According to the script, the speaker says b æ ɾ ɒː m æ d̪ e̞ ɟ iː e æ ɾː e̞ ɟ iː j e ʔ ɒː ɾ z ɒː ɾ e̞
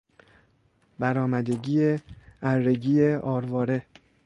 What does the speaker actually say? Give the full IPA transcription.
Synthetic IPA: b æ ɾ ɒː m æ d̪ e̞ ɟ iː e æ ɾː e̞ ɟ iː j e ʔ ɒː ɾ v ɒː ɾ e̞